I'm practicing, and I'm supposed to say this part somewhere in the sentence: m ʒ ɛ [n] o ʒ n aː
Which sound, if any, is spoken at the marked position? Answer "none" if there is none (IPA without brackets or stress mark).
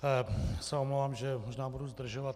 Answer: m